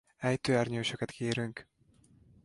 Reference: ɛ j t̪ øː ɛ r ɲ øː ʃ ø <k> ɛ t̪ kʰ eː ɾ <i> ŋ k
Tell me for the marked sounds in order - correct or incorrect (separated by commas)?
correct, incorrect